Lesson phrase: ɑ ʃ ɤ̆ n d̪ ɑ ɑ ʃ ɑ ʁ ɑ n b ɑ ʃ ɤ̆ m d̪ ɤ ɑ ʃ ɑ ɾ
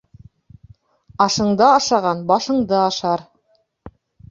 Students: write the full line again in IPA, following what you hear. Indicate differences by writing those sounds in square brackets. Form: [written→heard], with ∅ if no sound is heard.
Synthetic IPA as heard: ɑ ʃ ɤ̆ [n→ɴ] d̪ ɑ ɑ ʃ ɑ ʁ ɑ n b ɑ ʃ ɤ̆ [m→ɴ] d̪ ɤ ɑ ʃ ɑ ɾ

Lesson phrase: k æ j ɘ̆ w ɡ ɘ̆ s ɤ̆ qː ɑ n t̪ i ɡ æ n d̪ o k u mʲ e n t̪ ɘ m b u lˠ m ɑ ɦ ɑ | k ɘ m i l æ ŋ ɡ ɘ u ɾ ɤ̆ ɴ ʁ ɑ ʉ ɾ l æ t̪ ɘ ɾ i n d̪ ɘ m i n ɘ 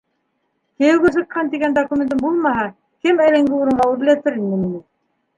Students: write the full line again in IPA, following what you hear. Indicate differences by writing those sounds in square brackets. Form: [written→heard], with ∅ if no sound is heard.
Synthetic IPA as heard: k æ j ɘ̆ w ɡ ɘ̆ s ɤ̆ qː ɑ n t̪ i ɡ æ n d̪ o k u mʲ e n t̪ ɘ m b u lˠ m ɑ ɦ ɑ | k ɘ m [i→æ] l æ ŋ ɡ ɘ u ɾ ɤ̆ ɴ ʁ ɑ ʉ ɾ l æ t̪ ɘ ɾ i n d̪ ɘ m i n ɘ

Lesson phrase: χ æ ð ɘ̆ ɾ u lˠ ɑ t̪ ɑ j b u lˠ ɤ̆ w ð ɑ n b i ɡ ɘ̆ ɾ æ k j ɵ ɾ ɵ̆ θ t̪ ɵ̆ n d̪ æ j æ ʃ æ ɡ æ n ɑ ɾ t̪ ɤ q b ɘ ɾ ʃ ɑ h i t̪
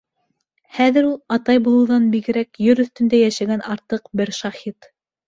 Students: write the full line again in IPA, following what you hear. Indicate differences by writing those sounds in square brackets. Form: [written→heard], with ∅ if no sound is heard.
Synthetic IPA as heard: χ æ ð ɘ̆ ɾ u lˠ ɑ t̪ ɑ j b u lˠ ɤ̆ w ð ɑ n b i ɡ ɘ̆ ɾ æ k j ɵ ɾ ɵ̆ θ t̪ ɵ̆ n d̪ æ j æ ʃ æ ɡ æ n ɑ ɾ t̪ ɤ q b ɘ ɾ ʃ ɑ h i t̪

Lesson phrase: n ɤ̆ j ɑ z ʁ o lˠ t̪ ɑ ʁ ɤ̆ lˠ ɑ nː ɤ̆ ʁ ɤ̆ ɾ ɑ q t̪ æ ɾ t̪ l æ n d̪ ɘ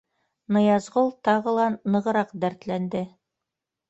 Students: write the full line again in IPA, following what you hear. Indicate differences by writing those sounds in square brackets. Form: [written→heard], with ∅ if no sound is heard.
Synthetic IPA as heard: n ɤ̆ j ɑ z ʁ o lˠ t̪ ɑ ʁ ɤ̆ lˠ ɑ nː ɤ̆ ʁ ɤ̆ ɾ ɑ q [t̪→d̪] æ ɾ t̪ l æ n d̪ ɘ

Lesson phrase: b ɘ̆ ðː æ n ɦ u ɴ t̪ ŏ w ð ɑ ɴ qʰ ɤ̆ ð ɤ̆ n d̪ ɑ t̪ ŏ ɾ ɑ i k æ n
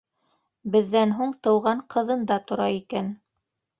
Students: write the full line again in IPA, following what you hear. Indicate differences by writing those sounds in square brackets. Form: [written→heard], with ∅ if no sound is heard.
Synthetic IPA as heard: b ɘ̆ ðː æ n ɦ u ɴ t̪ [ŏ→ɤ̆] w [ð→ʁ] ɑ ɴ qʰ ɤ̆ ð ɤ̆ n d̪ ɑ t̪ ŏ ɾ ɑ i k æ n

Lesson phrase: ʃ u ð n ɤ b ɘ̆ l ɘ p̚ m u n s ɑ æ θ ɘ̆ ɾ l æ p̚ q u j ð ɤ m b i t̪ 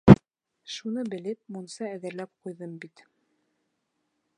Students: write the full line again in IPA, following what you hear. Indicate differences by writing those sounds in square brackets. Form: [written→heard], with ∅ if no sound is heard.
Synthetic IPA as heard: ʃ u [ð→∅] n ɤ b ɘ̆ l ɘ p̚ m u n s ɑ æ [θ→ð] ɘ̆ ɾ l æ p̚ q u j ð ɤ m b i t̪

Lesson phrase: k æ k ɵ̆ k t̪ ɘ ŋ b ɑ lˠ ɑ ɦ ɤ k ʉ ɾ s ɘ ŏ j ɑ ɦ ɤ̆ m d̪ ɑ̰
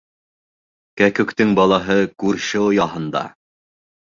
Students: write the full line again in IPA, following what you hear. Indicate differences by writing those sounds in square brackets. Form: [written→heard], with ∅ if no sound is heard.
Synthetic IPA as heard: k æ k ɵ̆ k t̪ ɘ ŋ b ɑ lˠ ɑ ɦ ɤ k ʉ ɾ [s→ʃ] ɘ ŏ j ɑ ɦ ɤ̆ [m→n] d̪ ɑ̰

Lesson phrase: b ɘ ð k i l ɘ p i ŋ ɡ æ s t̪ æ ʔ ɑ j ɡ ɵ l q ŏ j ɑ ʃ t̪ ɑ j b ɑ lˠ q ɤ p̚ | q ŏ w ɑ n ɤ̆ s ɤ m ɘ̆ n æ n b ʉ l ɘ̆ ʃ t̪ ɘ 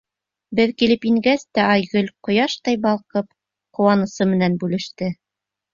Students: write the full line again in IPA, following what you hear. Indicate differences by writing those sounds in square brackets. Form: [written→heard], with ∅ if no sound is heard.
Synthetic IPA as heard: b ɘ ð k i l ɘ p i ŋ ɡ æ s t̪ æ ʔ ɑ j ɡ ɵ l q ŏ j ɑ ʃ t̪ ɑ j b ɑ lˠ q ɤ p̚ | q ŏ w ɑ n ɤ̆ s ɤ m ɘ̆ n æ n b ʉ l ɘ̆ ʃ t̪ ɘ

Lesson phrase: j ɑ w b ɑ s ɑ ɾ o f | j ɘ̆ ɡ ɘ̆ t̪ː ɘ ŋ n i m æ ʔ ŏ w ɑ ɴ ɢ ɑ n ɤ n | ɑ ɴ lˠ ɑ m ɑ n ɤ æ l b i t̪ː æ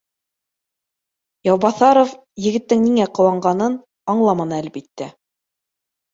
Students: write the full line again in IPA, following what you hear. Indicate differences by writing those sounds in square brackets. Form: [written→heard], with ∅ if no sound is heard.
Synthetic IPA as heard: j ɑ w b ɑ [s→θ] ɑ ɾ o f | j ɘ̆ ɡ ɘ̆ t̪ː ɘ ŋ n i [m→ŋ] æ [ʔ→q] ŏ w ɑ ɴ ɢ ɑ n ɤ n | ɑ ɴ lˠ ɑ m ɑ n ɤ æ l b i t̪ː æ

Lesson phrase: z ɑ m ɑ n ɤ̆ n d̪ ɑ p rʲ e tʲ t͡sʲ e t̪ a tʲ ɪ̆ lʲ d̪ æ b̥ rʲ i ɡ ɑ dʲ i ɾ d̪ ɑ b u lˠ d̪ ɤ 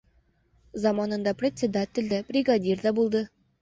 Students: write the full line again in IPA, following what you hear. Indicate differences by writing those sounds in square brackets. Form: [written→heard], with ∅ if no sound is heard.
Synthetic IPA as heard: z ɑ m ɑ n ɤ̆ n d̪ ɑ p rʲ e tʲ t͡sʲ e [t̪→d̪] a tʲ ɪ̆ lʲ d̪ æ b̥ rʲ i ɡ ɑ dʲ i [ɾ→r] d̪ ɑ b u lˠ d̪ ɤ

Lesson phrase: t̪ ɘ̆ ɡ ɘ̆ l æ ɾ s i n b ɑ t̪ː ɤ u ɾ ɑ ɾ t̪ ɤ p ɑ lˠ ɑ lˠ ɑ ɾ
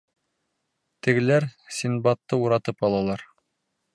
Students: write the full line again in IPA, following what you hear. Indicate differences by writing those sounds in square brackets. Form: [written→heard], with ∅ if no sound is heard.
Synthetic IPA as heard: t̪ ɘ̆ ɡ ɘ̆ l æ ɾ s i n b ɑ t̪ː ɤ u ɾ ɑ [ɾ→∅] t̪ ɤ p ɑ lˠ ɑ lˠ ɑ ɾ

